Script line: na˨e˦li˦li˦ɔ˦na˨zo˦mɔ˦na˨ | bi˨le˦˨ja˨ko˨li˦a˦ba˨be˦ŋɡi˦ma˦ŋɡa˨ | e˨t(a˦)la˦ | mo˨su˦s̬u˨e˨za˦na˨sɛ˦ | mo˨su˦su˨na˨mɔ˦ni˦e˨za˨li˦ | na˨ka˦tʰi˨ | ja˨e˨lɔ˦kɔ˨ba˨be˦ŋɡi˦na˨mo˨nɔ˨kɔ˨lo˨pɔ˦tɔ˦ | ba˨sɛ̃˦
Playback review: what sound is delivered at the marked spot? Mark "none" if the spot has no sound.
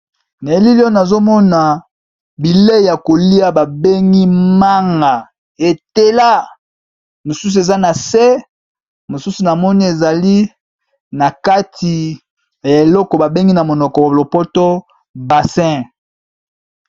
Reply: e˦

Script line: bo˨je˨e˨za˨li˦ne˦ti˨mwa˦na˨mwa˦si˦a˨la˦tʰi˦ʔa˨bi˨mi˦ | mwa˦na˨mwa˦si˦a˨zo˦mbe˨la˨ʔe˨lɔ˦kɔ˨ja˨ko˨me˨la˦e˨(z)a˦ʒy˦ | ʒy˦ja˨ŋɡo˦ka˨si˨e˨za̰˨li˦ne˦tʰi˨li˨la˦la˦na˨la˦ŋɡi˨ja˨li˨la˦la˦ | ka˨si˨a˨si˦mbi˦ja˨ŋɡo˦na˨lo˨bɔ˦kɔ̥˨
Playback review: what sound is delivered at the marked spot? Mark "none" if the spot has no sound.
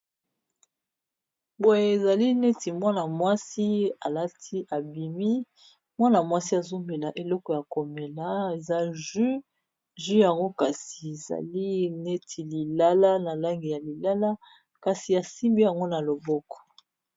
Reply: z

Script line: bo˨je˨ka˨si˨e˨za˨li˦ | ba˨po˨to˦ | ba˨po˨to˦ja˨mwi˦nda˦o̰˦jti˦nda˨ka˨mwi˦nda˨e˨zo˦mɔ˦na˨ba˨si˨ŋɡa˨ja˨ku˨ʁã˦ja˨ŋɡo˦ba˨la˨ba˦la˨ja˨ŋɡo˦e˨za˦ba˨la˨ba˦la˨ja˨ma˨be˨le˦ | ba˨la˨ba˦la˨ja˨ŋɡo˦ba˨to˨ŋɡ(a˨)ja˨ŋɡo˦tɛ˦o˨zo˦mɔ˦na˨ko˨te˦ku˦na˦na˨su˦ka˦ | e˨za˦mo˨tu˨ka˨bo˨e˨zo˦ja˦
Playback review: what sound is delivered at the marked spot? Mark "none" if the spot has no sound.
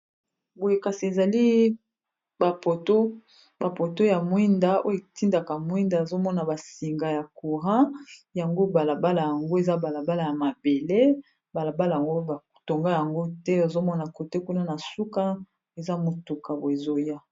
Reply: a˦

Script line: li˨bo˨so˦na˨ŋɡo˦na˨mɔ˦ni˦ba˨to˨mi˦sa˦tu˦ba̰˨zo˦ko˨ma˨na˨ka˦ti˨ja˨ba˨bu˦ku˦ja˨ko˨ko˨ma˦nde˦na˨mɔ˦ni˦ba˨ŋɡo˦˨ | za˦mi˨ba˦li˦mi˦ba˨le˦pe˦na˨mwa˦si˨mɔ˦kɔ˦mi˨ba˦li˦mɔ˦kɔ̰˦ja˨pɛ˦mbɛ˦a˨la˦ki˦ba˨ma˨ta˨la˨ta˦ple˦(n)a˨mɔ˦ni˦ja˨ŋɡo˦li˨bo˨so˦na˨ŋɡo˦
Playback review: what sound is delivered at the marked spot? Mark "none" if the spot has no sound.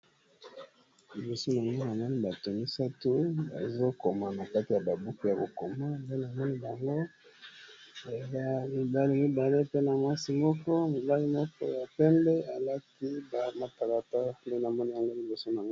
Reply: n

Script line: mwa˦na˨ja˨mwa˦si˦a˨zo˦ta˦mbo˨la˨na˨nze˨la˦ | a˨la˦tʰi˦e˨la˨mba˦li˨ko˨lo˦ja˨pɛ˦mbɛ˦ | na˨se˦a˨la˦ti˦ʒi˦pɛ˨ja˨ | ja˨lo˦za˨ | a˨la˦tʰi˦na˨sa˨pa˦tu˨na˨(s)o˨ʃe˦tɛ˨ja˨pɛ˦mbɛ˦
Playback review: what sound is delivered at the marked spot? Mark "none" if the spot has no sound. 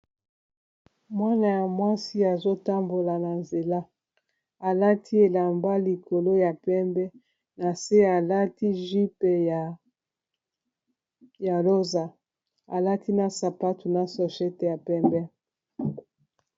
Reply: s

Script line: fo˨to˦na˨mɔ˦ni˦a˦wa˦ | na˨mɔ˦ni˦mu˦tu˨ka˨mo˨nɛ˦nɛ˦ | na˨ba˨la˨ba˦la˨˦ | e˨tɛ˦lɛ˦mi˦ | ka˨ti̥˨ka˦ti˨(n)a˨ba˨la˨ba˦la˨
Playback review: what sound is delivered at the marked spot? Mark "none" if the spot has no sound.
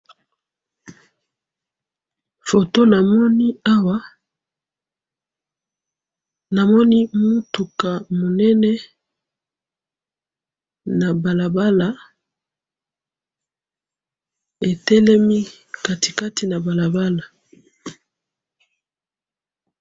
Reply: n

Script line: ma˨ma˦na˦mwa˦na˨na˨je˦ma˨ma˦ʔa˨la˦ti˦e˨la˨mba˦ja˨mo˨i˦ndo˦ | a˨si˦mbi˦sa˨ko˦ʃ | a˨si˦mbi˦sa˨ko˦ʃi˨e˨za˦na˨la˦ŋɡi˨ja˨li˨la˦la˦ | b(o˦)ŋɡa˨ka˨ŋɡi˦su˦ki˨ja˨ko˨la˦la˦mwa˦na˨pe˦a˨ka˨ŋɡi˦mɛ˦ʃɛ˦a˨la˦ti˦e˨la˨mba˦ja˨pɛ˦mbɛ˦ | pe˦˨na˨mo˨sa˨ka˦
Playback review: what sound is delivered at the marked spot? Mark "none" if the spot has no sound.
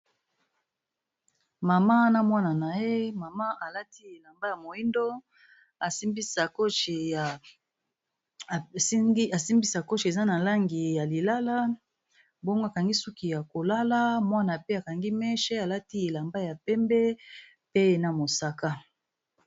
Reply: o˦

